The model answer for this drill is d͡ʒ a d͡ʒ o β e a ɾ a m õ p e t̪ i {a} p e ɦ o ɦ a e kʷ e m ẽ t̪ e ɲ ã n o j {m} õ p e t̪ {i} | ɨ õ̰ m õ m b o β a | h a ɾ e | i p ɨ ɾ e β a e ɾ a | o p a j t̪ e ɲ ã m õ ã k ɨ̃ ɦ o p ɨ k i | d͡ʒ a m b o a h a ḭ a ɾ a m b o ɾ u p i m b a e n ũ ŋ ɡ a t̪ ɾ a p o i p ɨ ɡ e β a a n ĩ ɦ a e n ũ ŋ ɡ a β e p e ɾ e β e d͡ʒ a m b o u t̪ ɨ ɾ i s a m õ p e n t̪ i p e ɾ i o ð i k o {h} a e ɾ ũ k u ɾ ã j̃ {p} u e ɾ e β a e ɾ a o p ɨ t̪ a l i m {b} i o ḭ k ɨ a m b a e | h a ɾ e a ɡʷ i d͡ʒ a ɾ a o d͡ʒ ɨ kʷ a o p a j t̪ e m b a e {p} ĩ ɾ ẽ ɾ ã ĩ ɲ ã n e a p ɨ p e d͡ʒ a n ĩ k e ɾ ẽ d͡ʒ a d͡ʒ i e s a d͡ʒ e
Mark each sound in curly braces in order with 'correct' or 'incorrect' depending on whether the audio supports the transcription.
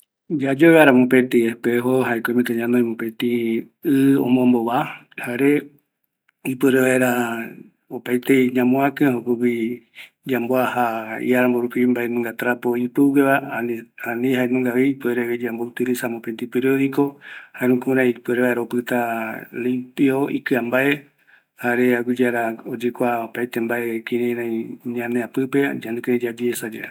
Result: incorrect, correct, correct, correct, correct, incorrect, incorrect

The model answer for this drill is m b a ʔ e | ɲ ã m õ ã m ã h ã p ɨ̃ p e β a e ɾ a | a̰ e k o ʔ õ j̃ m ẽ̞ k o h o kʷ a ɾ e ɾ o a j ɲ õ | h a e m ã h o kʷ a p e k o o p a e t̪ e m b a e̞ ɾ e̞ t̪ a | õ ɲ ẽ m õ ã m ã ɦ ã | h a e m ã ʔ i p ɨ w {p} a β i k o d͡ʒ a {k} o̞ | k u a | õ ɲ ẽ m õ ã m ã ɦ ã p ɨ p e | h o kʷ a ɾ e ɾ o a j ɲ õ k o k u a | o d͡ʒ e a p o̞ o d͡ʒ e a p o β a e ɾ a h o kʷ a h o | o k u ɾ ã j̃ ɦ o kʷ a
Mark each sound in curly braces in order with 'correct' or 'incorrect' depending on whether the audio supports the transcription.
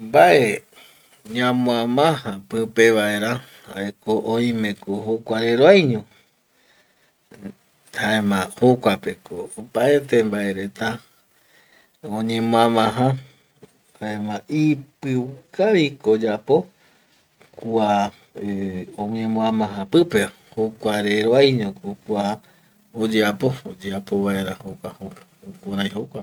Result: incorrect, incorrect

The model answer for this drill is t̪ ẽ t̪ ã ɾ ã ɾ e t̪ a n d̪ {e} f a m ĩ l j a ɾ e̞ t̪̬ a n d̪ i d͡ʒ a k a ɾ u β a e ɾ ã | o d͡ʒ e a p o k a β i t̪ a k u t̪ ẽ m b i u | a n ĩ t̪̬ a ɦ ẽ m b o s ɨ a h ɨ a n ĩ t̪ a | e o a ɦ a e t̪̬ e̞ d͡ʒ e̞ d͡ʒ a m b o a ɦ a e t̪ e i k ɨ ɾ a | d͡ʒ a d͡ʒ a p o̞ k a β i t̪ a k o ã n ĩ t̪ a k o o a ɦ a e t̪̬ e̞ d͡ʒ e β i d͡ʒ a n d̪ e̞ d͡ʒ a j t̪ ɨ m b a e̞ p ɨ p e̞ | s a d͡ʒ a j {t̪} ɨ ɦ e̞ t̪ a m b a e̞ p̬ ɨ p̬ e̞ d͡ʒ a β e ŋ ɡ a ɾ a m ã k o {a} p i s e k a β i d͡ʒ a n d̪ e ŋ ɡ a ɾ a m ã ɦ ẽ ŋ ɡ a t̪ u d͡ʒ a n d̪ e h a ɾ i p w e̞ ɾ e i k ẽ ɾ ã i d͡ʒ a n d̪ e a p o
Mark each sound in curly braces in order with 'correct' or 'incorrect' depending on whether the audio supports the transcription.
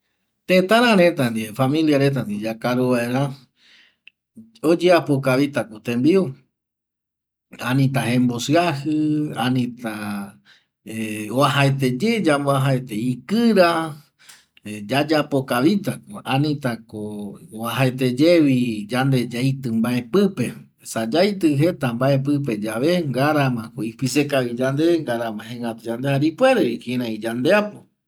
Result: incorrect, correct, incorrect

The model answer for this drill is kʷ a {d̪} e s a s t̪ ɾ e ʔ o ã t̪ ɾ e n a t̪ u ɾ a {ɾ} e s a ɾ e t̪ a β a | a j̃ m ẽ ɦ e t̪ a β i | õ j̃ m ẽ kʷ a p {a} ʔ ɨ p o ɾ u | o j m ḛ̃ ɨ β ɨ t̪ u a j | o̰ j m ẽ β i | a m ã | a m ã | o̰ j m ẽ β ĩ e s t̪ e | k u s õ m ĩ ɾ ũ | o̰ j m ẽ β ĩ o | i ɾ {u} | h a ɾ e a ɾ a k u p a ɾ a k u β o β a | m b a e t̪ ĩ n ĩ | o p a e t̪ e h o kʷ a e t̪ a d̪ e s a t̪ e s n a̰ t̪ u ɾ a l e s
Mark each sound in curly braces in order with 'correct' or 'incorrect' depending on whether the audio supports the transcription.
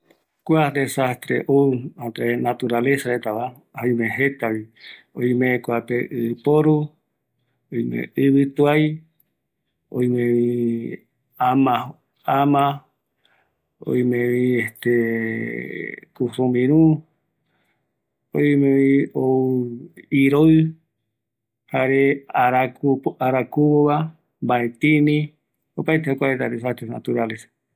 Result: correct, incorrect, incorrect, incorrect

